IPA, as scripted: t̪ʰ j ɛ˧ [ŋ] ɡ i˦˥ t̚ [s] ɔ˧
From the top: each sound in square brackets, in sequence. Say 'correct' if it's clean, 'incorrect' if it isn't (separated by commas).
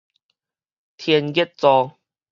incorrect, incorrect